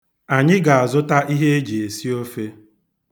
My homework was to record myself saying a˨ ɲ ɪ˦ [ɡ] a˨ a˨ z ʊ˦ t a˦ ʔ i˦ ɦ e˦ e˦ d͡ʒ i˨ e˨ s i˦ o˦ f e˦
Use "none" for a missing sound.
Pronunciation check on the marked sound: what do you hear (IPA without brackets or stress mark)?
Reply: ɡ